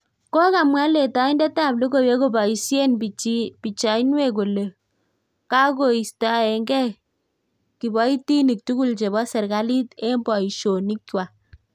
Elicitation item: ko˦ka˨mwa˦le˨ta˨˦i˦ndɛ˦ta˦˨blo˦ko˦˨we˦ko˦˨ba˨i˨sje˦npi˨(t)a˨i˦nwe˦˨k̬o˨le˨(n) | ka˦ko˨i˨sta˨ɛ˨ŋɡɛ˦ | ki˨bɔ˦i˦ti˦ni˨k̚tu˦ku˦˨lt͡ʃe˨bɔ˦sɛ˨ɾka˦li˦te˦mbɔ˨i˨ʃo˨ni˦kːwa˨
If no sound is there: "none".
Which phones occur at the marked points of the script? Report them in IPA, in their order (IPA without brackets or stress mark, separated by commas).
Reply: t͡ʃ, none